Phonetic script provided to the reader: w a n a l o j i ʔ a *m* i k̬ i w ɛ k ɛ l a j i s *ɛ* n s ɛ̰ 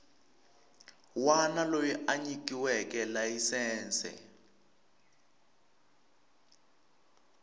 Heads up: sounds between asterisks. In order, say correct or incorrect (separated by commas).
incorrect, incorrect